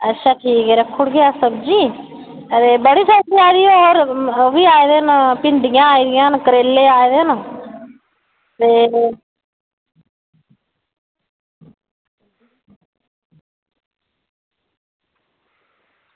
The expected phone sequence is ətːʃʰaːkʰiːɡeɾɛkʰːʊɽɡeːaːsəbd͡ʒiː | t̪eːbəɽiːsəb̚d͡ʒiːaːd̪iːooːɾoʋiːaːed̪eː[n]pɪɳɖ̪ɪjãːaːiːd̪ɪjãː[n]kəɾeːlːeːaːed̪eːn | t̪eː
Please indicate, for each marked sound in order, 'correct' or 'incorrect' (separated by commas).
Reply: correct, correct